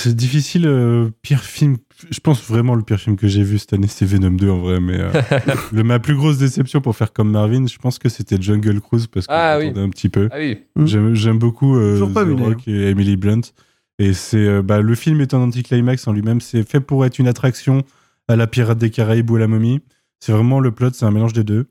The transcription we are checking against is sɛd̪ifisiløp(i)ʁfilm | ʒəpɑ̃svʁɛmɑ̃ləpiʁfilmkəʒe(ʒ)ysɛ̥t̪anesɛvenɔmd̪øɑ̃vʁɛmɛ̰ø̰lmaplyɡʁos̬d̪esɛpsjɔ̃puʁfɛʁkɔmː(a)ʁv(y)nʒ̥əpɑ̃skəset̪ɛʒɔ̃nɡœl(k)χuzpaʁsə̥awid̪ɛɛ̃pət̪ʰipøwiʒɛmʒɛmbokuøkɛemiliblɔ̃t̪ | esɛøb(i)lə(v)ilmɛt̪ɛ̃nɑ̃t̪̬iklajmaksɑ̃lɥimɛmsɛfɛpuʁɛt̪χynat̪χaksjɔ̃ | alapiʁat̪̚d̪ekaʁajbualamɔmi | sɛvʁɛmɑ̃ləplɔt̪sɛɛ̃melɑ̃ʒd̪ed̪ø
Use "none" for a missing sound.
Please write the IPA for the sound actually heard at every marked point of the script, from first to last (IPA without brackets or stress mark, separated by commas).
i, v, a, i, k, a, f